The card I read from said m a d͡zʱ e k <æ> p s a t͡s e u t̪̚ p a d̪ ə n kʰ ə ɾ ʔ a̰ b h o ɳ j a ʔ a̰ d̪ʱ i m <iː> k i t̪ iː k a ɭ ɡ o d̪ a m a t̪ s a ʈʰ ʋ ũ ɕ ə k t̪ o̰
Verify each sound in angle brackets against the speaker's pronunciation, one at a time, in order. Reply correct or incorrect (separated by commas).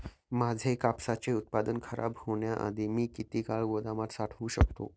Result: incorrect, correct